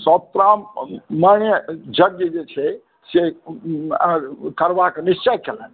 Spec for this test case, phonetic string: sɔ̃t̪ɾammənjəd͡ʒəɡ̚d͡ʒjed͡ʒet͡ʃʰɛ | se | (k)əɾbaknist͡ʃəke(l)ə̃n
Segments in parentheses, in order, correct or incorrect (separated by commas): correct, correct